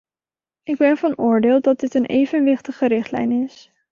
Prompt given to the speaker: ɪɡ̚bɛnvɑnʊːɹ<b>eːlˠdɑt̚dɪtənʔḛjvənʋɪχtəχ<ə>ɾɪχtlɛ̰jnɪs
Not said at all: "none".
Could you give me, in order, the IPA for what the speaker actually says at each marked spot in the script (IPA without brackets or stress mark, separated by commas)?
d, ə